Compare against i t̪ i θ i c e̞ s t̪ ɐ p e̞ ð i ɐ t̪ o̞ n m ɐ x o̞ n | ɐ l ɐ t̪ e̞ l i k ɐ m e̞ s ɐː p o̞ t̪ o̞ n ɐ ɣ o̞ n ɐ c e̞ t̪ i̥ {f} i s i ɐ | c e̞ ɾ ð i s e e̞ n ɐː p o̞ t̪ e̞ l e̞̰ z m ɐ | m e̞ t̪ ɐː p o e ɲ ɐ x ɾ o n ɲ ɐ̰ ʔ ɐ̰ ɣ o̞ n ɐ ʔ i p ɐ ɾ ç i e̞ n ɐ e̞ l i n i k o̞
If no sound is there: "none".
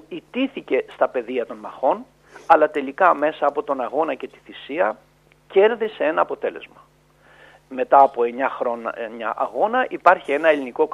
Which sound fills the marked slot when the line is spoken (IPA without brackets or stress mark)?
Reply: θ